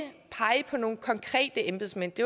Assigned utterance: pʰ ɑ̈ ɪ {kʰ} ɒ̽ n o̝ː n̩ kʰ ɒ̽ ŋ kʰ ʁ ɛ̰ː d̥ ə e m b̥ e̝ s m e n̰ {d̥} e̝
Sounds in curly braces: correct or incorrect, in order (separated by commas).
incorrect, correct